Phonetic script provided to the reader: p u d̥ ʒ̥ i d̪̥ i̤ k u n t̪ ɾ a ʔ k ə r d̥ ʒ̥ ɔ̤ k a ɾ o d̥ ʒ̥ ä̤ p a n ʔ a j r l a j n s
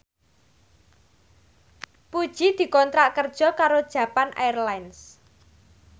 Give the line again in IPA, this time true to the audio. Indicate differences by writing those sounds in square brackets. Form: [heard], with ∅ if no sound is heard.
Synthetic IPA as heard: p u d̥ ʒ̥ i d̪̥ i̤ k [ɔ] n t̪ ɾ a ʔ k ə r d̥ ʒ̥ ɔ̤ k a ɾ o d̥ ʒ̥ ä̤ p a n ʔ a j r l a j n s